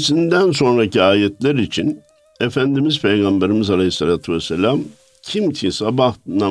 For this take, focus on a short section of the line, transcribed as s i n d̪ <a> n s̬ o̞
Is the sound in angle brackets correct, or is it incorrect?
incorrect